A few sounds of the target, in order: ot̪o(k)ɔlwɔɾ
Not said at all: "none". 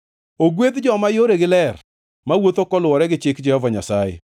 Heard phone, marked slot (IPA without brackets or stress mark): k